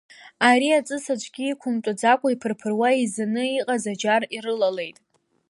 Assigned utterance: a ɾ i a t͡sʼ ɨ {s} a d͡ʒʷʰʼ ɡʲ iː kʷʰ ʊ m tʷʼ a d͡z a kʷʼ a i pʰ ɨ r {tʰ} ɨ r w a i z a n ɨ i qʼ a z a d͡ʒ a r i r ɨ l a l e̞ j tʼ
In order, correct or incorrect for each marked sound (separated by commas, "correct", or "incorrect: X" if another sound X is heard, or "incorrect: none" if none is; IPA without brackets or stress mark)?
correct, incorrect: pʰ